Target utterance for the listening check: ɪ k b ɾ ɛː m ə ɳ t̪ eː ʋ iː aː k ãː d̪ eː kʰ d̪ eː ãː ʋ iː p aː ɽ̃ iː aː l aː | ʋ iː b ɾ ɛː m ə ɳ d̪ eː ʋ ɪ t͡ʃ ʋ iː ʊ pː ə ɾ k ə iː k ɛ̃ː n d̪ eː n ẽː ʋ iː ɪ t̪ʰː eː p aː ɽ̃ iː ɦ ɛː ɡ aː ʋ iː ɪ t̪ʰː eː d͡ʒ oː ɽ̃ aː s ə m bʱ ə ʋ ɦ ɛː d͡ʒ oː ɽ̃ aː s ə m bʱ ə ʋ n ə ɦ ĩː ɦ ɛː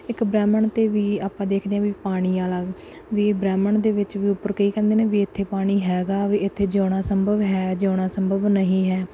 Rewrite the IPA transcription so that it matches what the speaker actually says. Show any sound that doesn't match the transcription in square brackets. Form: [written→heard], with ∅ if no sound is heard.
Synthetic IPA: ɪ k b ɾ ɛː m ə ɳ t̪ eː ʋ iː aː [k→p] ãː d̪ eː kʰ d̪ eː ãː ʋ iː p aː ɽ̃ iː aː l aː | ʋ iː b ɾ ɛː m ə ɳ d̪ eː ʋ ɪ t͡ʃ ʋ iː ʊ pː ə ɾ k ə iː k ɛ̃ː n d̪ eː n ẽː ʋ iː ɪ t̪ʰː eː p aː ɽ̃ iː ɦ ɛː ɡ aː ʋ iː ɪ t̪ʰː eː d͡ʒ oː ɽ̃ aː s ə m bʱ ə ʋ ɦ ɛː d͡ʒ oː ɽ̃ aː s ə m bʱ ə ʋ n ə ɦ ĩː ɦ ɛː